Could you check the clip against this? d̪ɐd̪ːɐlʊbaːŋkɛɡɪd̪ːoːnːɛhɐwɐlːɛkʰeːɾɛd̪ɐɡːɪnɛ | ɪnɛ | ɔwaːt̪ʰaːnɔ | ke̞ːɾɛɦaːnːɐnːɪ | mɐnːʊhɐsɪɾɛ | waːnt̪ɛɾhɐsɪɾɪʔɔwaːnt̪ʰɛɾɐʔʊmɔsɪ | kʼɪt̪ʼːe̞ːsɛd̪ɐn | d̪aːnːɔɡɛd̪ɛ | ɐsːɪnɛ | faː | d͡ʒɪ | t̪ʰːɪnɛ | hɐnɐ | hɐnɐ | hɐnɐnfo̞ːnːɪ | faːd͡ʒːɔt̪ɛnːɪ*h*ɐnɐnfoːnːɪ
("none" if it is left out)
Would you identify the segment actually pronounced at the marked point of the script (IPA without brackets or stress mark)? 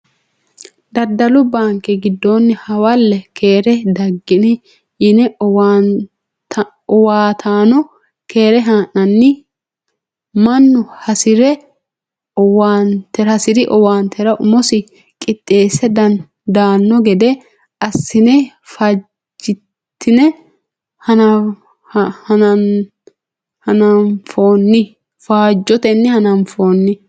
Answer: h